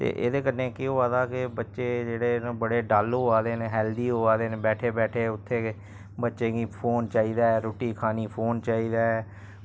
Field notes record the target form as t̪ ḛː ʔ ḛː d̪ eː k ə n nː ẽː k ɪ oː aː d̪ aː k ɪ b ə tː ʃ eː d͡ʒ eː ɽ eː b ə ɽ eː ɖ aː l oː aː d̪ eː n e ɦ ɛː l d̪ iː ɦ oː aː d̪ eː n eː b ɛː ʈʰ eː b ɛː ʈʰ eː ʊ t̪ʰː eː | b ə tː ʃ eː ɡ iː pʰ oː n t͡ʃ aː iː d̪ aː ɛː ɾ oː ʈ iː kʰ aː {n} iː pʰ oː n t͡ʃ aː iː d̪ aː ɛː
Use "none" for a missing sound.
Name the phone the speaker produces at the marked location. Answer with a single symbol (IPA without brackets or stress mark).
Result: n